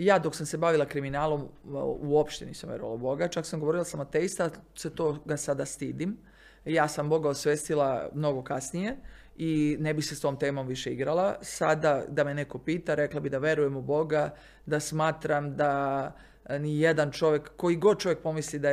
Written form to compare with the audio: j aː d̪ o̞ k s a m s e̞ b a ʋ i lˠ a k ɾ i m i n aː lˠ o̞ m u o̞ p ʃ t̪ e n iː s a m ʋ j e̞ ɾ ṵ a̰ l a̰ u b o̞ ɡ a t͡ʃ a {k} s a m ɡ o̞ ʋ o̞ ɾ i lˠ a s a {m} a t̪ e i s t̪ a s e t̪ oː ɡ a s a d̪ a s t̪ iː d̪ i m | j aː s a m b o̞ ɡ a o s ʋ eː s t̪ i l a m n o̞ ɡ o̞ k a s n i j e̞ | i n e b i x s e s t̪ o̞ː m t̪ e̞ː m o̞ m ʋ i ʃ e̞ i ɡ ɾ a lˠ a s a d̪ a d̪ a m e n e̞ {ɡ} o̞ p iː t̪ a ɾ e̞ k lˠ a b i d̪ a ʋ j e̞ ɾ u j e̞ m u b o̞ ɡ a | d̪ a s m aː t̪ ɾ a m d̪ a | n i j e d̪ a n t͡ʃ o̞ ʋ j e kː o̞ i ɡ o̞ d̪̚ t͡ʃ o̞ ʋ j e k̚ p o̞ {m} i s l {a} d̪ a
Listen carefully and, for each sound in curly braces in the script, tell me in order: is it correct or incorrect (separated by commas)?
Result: correct, correct, incorrect, correct, incorrect